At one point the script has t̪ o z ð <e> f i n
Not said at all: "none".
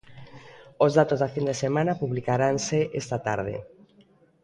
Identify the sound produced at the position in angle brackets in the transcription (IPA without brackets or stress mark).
a